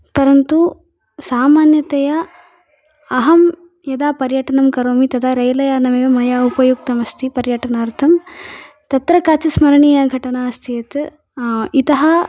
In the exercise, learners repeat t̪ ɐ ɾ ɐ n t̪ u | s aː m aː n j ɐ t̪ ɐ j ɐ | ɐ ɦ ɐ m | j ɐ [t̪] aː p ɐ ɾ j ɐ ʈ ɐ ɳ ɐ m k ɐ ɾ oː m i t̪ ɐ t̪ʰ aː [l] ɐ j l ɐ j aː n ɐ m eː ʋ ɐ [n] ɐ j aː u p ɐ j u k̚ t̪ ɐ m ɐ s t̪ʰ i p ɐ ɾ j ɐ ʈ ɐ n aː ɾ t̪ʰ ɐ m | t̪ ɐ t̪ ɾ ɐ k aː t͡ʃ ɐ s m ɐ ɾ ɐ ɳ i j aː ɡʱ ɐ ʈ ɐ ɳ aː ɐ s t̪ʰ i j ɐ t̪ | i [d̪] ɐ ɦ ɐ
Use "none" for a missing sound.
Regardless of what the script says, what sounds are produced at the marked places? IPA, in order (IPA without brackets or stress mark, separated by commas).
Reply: d̪, ɾ, m, t̪